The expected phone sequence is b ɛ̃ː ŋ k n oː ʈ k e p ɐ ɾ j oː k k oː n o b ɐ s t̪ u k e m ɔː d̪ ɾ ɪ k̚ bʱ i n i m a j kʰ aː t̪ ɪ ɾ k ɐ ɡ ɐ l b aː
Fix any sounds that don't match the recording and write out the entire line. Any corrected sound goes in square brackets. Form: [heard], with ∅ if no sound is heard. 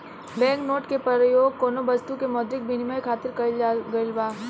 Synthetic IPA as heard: b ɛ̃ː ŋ k n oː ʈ k e p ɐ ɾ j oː [ɡ] k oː n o b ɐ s t̪ u k e m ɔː d̪ ɾ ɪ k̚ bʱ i n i m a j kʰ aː t̪ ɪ ɾ k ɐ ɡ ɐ l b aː